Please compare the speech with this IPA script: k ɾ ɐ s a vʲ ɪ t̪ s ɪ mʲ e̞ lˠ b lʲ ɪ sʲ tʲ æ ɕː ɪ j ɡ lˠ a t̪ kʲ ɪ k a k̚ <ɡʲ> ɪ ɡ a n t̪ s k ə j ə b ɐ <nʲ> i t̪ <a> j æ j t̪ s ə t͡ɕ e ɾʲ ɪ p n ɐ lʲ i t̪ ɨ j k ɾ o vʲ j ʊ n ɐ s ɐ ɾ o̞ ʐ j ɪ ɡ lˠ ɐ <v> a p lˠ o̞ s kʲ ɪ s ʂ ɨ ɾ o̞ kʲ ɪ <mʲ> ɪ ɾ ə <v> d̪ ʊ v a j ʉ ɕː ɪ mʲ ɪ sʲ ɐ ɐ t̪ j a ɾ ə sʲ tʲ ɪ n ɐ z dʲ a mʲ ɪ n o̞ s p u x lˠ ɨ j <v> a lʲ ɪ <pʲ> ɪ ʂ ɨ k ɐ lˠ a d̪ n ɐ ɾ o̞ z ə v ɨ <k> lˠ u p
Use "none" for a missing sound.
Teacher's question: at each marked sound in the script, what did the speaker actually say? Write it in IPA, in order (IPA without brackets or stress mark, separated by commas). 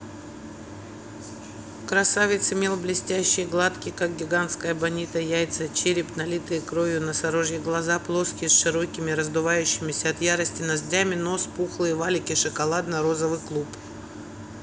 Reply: ɡʲ, nʲ, ə, z, mʲ, z, v, kʲ, k